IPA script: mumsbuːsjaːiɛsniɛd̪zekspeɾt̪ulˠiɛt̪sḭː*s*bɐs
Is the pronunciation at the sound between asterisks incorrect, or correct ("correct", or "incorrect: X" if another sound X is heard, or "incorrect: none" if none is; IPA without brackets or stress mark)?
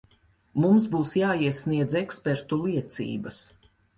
incorrect: none